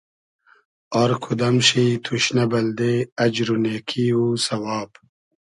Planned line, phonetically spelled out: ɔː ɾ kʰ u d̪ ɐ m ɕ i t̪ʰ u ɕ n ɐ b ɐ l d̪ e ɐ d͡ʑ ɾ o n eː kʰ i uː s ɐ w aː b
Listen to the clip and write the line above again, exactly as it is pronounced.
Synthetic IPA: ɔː ɾ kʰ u d̪ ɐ m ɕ i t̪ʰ u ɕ n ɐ b ɐ l d̪ e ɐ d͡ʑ ɾ u n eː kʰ i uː s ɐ w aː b